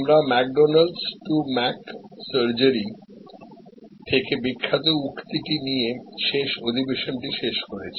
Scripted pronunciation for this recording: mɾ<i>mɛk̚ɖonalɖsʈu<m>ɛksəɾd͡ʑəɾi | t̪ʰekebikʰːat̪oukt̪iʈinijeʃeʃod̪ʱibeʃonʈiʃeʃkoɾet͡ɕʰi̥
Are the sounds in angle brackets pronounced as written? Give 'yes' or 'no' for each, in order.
no, yes

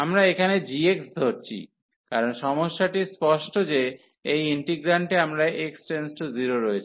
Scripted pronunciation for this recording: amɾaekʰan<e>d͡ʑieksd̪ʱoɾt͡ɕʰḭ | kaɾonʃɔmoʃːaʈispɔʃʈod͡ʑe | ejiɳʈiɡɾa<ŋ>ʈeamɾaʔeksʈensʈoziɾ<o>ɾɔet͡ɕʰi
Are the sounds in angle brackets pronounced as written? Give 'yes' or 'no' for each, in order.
yes, no, yes

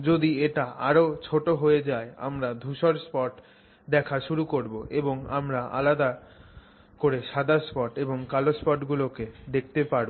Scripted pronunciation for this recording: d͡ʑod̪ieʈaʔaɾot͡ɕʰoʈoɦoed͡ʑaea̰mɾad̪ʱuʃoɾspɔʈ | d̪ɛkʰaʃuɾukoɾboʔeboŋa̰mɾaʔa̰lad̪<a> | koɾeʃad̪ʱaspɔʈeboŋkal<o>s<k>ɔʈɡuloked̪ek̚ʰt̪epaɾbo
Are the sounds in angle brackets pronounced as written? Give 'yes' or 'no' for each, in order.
yes, yes, no

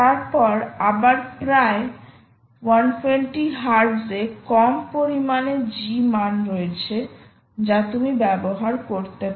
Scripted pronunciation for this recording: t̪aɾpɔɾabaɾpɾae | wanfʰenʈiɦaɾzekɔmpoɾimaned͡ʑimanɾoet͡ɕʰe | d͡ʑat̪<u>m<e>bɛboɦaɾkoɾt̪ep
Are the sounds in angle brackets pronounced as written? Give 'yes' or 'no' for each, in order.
yes, no

